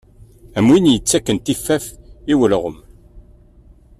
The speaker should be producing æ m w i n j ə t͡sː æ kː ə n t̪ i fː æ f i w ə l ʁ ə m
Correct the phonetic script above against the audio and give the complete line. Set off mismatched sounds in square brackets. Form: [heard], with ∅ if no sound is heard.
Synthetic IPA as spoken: æ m w i n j ə t͡sː æ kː ə n t̪ i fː æ f i w ə l ʁ ə m